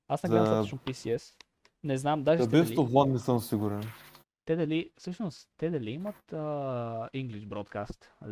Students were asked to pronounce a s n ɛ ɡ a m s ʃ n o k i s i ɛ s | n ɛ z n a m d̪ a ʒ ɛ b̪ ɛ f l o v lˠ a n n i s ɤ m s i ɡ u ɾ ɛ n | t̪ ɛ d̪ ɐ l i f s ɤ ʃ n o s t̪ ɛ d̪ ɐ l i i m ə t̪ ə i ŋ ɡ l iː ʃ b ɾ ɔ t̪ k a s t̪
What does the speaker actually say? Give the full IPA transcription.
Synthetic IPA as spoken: a s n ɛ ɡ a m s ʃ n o p i s i ɛ s | n ɛ z n a m d̪ a ʒ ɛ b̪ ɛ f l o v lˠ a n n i s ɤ m s i ɡ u ɾ ɛ n | t̪ ɛ d̪ ɐ l i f s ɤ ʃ n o s t̪ ɛ d̪ ɐ l i i m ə t̪ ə i ŋ ɡ l i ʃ b ɾ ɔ t̪ k a s t̪